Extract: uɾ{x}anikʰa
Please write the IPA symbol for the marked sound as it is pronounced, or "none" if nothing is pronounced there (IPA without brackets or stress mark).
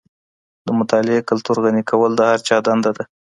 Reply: ɣ